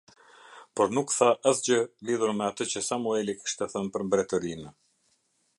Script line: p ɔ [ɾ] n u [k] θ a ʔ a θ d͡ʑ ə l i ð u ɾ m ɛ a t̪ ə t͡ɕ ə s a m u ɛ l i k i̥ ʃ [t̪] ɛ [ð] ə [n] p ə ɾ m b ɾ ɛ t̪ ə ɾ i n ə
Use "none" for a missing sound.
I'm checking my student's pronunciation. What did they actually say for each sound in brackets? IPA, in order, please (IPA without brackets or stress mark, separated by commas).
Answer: ɾ, k, t̪, θ, n